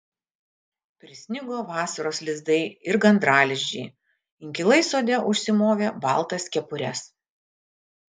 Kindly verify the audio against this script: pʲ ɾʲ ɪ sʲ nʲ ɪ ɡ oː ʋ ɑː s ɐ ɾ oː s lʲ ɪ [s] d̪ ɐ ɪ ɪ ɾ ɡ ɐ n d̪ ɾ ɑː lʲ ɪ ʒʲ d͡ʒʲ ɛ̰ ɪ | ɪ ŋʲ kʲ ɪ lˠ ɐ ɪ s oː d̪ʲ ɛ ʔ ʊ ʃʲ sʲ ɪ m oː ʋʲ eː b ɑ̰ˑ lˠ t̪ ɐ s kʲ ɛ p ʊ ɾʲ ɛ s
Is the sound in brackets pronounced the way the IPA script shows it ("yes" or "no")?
no